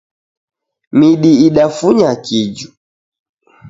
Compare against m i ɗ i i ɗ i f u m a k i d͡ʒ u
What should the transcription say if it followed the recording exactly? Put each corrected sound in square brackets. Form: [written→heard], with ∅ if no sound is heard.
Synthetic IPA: m i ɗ i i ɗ [i→a] f u [m→ɲ] a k i d͡ʒ u